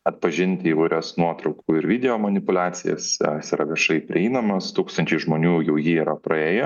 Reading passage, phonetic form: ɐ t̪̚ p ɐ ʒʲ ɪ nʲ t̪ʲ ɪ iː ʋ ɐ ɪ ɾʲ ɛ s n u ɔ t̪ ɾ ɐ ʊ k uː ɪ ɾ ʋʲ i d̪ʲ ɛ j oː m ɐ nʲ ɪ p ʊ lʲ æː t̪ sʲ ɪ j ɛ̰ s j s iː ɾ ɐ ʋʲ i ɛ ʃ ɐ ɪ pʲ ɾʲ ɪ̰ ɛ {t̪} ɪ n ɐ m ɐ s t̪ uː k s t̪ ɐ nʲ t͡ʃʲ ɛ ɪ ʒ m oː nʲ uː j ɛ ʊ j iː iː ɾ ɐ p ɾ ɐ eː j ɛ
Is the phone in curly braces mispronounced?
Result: yes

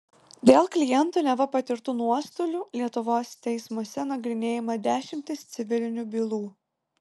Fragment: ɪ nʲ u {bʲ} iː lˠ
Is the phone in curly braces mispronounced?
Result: no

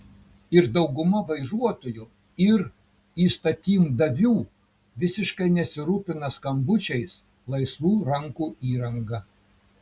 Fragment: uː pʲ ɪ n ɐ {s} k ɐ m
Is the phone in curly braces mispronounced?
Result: no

